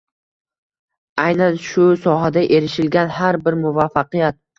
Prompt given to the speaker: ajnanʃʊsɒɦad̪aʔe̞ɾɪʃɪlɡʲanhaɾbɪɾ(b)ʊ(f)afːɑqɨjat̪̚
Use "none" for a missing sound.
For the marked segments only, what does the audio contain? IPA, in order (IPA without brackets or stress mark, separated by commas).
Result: m, v